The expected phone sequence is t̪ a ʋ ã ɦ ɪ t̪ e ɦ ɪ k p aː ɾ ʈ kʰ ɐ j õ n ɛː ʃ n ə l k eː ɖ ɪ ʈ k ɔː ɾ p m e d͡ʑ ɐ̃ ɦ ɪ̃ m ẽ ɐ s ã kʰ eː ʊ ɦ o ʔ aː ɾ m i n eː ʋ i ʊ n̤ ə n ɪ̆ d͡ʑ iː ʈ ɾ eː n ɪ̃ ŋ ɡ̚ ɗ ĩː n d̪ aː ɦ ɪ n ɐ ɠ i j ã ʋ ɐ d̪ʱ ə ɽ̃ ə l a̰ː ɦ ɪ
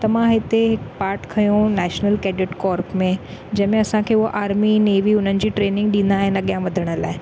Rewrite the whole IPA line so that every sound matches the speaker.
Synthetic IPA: t̪ ɐ ʋ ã ɦ ɪ t̪ e ɦ ɪ k p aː ɾ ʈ kʰ ɐ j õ n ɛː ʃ n ə l k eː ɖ ɪ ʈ k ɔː ɾ p m ẽ d͡ʑ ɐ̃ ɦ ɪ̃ m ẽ ɐ s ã kʰ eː ʊ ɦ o ʔ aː ɾ m i n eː ʋ i ʊ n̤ ə n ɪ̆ d͡ʑ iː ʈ ɾ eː n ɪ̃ ŋ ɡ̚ ɗ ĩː n d̪ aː ɦ ɪ n ɐ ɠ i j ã ʋ ɐ d̪ʱ ə ɽ̃ ə l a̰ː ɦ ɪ